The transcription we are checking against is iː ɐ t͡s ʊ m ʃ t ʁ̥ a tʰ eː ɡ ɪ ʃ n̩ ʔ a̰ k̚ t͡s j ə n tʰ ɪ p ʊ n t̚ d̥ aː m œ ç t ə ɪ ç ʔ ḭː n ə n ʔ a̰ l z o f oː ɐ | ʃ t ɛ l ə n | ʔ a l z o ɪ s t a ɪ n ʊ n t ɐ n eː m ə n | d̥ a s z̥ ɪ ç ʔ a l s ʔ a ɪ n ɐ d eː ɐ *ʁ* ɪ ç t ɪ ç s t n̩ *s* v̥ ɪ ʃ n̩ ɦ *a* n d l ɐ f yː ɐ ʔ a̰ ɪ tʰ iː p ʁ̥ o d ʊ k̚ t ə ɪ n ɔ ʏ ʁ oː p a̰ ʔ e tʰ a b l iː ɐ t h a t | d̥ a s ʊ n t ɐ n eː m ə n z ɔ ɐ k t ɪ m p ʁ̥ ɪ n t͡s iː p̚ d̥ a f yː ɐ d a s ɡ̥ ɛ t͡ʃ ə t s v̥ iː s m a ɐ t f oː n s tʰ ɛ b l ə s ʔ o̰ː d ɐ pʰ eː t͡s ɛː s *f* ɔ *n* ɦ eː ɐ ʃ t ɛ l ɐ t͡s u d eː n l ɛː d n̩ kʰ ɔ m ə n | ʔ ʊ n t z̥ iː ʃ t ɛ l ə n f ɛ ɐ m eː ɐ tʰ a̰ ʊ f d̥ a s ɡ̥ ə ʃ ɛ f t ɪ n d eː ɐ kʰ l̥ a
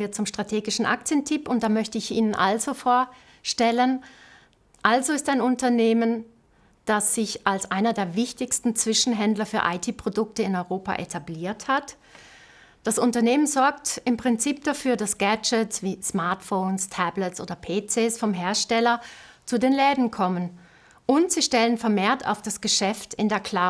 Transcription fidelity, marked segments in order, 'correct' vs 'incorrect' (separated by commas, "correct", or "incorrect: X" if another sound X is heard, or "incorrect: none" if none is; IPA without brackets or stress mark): incorrect: v, incorrect: t͡s, incorrect: ɛ, correct, incorrect: m